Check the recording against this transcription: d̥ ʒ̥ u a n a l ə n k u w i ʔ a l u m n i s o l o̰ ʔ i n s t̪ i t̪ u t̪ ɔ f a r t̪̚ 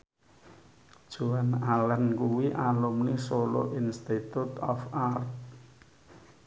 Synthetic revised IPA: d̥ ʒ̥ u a n a l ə n k u w i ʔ a l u m n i s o l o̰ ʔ i n s t̪ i t̪ u t̪ ɔ f a r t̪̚